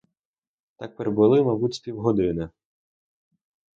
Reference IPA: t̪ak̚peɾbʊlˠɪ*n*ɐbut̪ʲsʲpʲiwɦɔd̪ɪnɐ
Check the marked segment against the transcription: incorrect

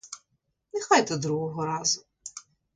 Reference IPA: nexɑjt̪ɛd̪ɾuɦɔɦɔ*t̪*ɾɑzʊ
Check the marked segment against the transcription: incorrect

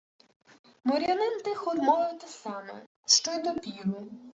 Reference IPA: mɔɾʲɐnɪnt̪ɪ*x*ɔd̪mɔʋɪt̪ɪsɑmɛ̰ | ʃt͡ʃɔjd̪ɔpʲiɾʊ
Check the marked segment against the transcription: correct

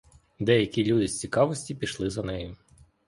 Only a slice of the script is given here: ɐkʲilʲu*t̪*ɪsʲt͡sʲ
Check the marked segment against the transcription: incorrect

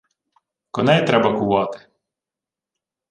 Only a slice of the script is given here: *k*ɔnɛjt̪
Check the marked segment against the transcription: correct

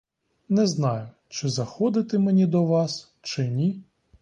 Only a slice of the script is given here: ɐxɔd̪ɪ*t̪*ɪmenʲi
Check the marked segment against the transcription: correct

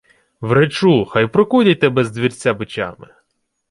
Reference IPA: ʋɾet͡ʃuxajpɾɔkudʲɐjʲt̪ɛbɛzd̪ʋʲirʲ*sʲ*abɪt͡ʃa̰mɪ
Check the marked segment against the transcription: incorrect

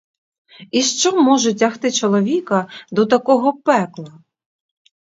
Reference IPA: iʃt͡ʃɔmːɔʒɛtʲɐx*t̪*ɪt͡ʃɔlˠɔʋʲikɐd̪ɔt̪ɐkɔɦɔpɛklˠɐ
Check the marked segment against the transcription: correct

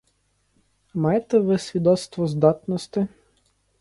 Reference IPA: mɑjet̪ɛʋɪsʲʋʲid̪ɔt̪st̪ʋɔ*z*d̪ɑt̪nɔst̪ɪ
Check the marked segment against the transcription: correct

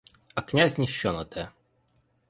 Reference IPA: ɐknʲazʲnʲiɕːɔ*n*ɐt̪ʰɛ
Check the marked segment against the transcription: correct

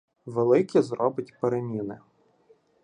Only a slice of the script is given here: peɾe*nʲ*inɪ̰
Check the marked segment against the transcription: incorrect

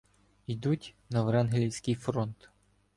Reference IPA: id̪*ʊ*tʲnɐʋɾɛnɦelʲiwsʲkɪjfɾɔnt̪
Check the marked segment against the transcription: incorrect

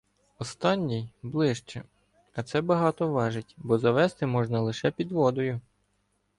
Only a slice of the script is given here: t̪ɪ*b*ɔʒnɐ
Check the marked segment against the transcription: incorrect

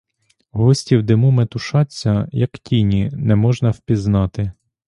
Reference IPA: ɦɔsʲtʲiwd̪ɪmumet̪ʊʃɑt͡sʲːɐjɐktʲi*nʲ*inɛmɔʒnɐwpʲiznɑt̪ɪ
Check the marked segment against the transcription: correct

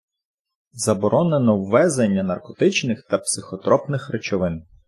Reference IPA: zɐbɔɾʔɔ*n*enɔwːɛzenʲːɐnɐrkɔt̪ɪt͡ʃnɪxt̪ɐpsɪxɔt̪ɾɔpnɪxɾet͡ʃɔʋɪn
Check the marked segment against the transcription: correct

